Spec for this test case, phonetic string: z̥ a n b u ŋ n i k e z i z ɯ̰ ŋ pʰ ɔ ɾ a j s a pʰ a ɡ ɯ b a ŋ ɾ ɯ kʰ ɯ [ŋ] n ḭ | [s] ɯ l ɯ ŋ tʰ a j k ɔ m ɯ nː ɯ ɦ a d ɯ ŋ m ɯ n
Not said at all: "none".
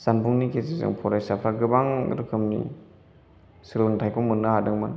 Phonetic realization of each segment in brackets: m, s

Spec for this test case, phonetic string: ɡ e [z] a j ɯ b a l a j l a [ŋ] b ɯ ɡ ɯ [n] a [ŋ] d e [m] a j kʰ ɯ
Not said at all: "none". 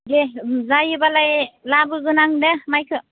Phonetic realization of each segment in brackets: z, none, n, ŋ, m

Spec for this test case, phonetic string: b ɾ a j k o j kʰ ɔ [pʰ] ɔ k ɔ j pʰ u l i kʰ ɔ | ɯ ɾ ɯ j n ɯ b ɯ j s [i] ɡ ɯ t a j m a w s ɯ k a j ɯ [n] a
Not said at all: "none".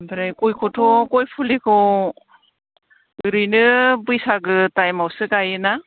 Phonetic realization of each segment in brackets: tʰ, a, n

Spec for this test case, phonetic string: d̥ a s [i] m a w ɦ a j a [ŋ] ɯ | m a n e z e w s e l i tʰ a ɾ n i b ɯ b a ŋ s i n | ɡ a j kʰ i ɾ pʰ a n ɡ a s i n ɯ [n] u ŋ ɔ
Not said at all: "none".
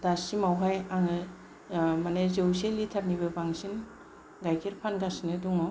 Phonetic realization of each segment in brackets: i, ŋ, d

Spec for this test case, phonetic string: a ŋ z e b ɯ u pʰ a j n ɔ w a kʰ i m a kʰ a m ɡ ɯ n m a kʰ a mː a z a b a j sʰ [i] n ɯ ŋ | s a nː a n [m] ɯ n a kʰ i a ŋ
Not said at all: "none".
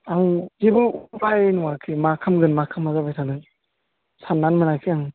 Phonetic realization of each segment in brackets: a, m

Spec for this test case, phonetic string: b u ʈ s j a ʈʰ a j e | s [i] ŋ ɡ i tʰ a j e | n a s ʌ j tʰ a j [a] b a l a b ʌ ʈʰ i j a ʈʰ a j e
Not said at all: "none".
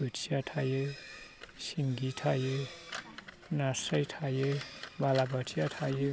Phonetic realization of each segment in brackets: i, e

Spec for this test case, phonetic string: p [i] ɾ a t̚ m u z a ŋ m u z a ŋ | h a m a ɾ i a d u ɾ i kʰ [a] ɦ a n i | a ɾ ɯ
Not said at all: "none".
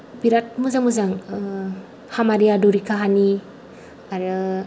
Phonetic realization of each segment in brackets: i, a

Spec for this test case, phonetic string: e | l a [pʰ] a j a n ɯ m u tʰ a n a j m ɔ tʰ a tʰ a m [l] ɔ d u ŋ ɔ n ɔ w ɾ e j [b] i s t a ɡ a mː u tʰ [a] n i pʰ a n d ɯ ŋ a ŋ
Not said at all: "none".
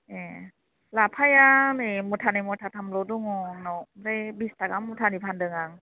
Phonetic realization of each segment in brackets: pʰ, l, b, a

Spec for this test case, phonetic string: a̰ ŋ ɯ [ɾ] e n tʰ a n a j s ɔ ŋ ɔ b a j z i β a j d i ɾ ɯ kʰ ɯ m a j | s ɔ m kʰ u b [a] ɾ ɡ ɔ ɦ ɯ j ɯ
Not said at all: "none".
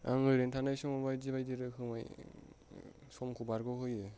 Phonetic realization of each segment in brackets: ɾ, a

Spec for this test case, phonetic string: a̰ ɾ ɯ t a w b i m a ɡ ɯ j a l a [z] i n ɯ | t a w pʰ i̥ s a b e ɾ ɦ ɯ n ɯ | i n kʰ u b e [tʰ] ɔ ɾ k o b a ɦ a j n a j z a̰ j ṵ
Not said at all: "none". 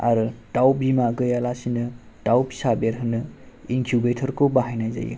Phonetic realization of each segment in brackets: s, tʰ

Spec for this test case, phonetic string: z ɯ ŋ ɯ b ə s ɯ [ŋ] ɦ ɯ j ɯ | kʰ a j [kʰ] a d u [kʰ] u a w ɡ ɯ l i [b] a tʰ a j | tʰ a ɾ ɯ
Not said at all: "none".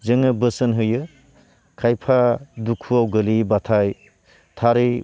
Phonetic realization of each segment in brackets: n, pʰ, kʰ, b

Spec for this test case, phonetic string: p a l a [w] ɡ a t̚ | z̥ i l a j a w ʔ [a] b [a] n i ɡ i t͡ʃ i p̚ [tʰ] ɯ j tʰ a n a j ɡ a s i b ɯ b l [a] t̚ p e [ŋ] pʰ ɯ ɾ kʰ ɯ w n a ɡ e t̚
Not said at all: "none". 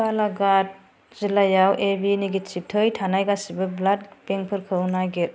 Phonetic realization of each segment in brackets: none, e, i, tʰ, a, ŋ

